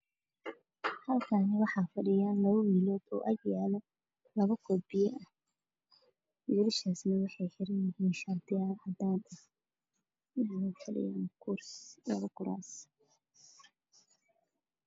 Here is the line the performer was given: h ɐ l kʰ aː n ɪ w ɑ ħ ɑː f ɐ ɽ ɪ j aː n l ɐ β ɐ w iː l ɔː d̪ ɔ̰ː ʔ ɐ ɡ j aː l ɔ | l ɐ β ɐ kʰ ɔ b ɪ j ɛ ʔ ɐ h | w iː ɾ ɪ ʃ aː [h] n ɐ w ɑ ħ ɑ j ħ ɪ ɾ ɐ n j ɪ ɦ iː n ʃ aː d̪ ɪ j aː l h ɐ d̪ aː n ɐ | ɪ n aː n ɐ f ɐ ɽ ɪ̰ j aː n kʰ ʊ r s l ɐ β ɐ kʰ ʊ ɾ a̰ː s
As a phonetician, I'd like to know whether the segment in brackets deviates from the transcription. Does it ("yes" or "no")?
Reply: yes